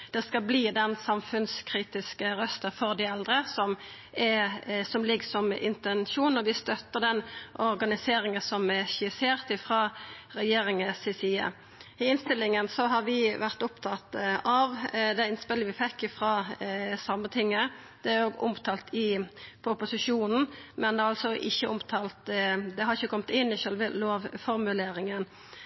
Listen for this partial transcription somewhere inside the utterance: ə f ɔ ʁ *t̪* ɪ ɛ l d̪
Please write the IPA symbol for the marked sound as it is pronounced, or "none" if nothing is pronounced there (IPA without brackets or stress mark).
d̪